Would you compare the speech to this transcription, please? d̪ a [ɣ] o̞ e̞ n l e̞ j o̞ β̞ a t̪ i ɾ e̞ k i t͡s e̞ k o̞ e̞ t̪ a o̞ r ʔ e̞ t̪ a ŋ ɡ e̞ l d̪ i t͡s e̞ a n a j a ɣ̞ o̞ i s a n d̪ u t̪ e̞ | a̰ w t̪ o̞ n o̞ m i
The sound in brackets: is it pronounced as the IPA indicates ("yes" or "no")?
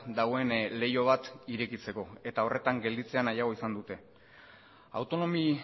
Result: yes